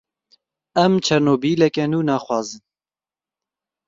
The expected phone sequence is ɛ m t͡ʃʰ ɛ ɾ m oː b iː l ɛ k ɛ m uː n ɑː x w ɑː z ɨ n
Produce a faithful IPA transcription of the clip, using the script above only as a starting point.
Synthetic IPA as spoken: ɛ m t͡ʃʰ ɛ ɾ n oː b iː l ɛ k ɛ n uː n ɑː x w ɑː z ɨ n